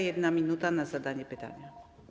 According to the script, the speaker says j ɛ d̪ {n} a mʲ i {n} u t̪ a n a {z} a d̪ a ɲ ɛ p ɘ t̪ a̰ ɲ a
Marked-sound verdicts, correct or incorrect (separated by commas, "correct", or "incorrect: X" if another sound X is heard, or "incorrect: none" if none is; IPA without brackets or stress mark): correct, correct, correct